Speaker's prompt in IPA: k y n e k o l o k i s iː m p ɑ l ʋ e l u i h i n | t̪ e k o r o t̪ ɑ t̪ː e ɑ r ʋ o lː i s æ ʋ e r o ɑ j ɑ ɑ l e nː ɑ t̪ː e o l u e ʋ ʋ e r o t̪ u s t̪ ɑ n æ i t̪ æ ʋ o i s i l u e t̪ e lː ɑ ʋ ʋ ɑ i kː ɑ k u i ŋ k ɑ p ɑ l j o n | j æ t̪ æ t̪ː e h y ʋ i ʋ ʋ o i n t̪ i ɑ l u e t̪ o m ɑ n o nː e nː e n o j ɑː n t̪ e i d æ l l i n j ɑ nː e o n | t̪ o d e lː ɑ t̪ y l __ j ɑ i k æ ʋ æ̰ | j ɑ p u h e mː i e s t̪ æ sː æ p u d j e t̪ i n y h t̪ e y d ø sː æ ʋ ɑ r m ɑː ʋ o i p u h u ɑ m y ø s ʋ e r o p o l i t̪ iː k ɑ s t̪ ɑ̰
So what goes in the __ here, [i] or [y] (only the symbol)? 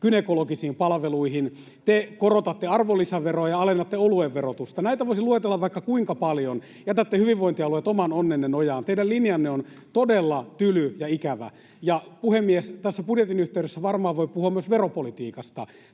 y